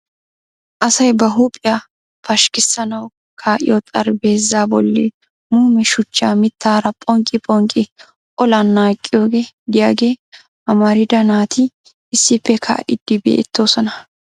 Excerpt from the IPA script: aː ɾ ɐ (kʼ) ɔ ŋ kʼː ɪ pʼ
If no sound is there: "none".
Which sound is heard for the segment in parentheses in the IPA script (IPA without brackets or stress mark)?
pʼ